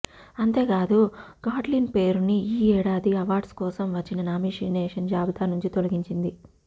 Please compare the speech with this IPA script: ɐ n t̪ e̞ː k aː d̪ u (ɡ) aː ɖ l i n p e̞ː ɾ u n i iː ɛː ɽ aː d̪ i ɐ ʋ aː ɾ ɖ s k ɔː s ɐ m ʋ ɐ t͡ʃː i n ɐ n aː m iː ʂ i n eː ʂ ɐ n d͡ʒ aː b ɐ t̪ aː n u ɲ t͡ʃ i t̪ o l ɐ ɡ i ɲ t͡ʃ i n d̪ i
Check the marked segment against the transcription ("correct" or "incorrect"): correct